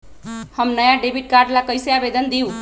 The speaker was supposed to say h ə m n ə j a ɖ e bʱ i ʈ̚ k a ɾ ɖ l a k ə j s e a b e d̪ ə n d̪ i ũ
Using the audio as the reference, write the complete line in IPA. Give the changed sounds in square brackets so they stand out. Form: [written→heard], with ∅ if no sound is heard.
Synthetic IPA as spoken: h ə m n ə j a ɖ e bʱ i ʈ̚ k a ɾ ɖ l a k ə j s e a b e d̪ ə n d̪ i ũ